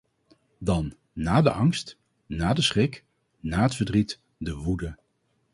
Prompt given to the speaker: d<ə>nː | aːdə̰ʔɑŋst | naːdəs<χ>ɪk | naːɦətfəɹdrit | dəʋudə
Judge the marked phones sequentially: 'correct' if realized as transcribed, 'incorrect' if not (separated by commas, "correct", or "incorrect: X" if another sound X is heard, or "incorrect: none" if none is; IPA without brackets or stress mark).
incorrect: ɑ, correct